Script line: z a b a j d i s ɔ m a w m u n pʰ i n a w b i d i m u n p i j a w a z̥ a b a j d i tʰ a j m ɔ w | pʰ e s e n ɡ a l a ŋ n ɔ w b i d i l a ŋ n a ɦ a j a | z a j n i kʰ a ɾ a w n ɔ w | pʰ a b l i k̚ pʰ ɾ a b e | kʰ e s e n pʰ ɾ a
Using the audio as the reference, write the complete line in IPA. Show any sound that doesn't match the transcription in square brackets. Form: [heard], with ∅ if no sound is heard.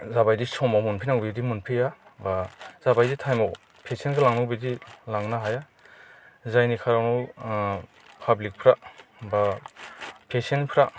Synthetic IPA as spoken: z a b a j d i s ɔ m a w m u n pʰ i n a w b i d i m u n [pʰ] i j a [b] a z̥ a b a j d i tʰ a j m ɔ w | pʰ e s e n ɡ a l a ŋ n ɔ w b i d i l a ŋ n a ɦ a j a | z a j n i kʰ a ɾ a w n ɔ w | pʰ a b l i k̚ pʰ ɾ a b [a] | [pʰ] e s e n pʰ ɾ a